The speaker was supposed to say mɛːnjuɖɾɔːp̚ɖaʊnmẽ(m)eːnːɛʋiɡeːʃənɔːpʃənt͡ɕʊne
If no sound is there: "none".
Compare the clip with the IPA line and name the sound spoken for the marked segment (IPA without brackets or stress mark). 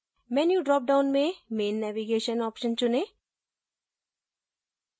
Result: m